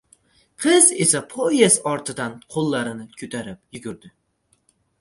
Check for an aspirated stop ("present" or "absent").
present